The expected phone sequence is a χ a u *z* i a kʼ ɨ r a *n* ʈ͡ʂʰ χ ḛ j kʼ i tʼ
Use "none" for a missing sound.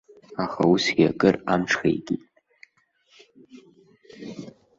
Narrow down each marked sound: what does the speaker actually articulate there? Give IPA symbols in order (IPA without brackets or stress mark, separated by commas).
s, m